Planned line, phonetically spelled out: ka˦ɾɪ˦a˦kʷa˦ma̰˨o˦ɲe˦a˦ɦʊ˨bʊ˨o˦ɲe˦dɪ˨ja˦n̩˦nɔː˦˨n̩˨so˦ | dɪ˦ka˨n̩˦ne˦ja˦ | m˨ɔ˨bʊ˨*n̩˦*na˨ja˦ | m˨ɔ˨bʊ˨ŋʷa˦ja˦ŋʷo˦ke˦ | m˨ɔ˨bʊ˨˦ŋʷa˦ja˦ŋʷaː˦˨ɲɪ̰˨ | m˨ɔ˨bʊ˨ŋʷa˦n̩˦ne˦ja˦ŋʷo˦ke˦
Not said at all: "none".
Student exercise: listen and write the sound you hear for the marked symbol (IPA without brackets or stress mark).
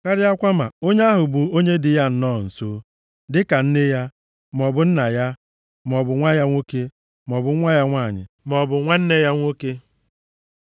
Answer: n̩˦